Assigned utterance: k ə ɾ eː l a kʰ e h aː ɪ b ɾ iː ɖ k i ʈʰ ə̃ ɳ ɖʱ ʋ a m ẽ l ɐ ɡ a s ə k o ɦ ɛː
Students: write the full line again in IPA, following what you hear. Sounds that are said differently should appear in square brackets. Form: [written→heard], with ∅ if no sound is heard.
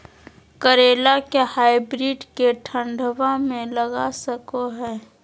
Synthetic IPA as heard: k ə ɾ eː l a [kʰ→k] e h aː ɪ b ɾ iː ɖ k [i→e] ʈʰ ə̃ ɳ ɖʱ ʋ a m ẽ l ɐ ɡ a s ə k o ɦ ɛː